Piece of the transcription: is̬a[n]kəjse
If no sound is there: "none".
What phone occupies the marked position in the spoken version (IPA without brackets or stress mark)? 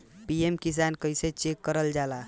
n